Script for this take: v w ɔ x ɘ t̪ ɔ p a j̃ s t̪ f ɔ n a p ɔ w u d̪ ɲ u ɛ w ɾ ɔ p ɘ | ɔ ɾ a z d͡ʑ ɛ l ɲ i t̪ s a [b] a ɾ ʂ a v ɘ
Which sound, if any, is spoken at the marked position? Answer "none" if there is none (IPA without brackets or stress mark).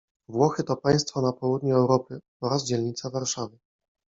v